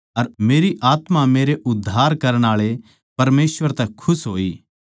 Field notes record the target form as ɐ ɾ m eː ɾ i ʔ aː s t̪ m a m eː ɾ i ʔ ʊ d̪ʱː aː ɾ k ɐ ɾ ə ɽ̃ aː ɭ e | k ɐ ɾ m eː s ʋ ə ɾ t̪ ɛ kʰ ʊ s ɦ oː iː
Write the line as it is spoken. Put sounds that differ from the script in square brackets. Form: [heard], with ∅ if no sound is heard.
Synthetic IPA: ɐ ɾ m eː ɾ i ʔ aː [∅] t̪ m a m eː ɾ [e] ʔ ʊ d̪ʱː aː ɾ k ɐ ɾ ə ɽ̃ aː ɭ e | [p] ɐ ɾ m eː s ʋ ə ɾ t̪ ɛ kʰ ʊ s ɦ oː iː